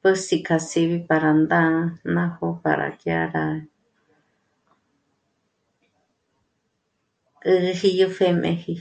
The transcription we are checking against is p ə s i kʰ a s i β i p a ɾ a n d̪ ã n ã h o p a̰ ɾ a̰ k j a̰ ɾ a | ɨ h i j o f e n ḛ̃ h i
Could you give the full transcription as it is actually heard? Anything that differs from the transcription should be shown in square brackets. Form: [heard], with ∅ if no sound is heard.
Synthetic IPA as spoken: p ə s i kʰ a s i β i p a ɾ a n d̪ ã n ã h o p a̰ ɾ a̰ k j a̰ ɾ a | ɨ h i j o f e [m] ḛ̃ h i